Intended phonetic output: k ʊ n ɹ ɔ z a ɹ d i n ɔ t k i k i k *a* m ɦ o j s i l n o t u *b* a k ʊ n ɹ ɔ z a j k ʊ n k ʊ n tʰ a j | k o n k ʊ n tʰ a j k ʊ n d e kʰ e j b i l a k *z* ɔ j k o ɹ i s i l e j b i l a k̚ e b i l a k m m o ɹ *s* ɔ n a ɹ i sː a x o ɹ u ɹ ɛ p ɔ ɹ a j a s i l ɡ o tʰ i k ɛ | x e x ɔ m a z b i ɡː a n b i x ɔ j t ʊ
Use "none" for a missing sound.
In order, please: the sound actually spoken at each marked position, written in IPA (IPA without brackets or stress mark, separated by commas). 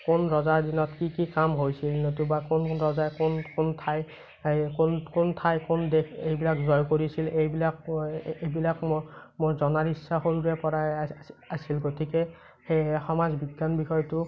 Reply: a, b, z, z